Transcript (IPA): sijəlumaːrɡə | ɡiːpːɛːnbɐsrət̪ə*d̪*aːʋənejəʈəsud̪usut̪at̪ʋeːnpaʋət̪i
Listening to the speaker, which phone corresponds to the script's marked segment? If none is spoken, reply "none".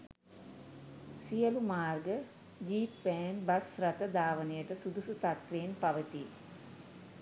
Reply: d̪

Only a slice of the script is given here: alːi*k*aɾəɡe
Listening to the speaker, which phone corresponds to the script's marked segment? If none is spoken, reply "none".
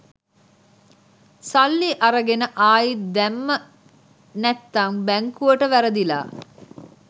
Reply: ʔ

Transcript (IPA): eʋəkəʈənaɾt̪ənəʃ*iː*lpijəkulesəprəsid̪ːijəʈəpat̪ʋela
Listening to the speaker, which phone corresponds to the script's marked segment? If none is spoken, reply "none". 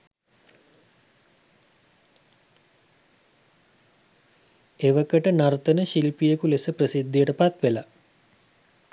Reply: i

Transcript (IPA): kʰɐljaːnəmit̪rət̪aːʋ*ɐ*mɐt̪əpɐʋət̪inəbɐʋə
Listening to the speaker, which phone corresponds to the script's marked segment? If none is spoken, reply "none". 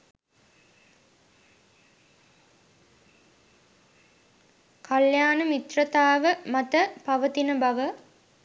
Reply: ə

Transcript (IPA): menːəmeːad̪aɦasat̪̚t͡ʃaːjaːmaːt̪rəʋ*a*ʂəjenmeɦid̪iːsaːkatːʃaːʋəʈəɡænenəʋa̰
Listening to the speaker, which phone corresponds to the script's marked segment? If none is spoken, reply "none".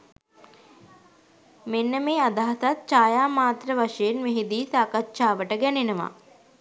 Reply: a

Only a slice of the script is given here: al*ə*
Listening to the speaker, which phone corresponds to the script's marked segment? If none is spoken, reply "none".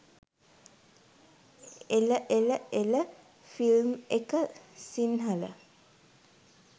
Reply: ə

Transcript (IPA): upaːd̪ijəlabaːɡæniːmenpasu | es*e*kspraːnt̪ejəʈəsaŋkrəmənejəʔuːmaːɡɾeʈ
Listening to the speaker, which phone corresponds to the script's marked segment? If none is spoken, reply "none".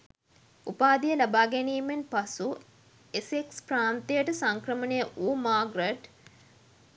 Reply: e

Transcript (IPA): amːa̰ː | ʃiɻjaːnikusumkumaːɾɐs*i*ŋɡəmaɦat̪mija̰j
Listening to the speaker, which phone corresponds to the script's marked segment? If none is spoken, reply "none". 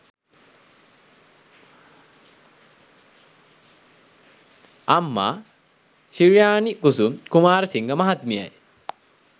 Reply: i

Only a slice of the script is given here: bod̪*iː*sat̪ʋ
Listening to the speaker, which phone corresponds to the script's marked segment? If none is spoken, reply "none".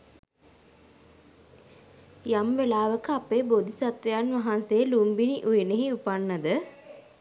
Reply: i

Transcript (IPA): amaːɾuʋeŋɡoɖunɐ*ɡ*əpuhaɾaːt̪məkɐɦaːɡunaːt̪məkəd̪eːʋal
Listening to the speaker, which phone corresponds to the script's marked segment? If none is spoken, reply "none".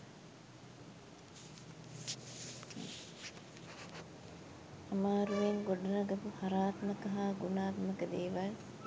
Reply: ɡ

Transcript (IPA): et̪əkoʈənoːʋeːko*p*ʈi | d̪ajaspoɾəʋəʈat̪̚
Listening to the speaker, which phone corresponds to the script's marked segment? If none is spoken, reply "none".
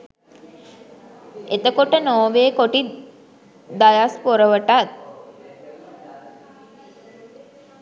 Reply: none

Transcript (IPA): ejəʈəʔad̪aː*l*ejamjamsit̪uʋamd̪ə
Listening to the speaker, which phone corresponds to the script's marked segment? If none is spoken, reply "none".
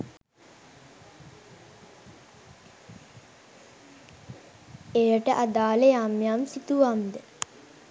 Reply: l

